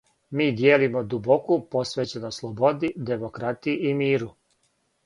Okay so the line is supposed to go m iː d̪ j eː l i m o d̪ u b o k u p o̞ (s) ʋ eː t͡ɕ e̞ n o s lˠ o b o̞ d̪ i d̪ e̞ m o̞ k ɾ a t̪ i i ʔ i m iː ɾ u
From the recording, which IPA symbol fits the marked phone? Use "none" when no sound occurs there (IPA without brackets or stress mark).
s